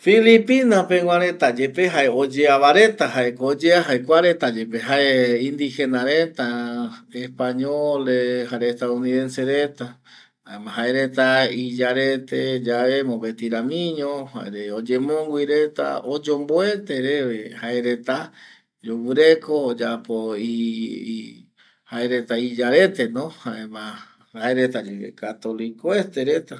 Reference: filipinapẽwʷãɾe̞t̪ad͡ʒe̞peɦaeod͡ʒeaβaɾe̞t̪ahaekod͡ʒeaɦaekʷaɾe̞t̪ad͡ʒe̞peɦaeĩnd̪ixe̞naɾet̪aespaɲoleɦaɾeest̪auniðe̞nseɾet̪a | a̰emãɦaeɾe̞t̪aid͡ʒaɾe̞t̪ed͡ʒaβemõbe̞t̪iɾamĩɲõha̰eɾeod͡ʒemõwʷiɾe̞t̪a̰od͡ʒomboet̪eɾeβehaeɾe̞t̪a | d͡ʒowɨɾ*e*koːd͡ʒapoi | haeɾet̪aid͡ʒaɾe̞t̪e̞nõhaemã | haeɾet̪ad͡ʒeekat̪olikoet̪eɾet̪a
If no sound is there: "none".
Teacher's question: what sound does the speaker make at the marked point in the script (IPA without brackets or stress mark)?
e